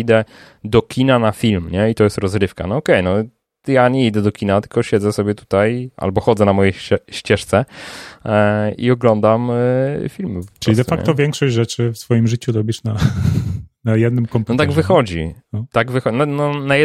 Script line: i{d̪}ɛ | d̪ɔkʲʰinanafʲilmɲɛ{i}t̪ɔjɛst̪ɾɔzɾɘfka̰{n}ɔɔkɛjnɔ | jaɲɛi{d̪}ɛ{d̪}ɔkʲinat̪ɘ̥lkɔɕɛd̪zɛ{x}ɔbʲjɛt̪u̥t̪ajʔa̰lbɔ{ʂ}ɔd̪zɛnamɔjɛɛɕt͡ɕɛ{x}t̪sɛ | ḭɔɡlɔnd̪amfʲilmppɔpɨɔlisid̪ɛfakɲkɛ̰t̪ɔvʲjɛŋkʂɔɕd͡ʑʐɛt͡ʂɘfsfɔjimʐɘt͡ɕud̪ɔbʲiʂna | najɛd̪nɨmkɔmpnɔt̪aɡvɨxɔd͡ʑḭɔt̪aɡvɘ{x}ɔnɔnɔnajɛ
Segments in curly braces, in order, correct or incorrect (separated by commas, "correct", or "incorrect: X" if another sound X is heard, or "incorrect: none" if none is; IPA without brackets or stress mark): correct, correct, correct, correct, correct, incorrect: s, incorrect: x, incorrect: ʂ, correct